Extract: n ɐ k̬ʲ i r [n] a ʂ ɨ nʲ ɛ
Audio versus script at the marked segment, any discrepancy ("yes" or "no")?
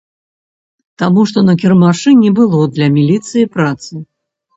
yes